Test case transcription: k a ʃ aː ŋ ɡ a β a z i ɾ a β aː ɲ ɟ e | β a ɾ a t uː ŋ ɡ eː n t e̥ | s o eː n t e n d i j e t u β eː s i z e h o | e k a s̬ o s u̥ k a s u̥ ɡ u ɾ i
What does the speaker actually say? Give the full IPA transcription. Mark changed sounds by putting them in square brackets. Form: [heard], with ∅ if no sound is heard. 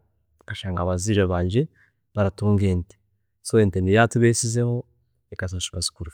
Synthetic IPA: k a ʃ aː ŋ ɡ a β a z i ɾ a β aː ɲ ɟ e | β a ɾ a t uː ŋ ɡ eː n t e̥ | s o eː n t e n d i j [a] t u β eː s i z e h o | e k a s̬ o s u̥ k a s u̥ [k] u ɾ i